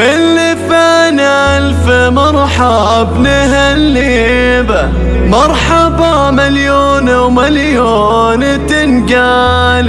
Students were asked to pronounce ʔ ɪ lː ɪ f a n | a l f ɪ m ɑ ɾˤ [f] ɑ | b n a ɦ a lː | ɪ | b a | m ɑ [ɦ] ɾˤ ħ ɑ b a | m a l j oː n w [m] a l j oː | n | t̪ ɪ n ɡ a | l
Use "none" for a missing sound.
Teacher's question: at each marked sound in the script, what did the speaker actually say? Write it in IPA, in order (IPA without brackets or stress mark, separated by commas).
ħ, none, m